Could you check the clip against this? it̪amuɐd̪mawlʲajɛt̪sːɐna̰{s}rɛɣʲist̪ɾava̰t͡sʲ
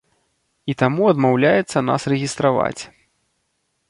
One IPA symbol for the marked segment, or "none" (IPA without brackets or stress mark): s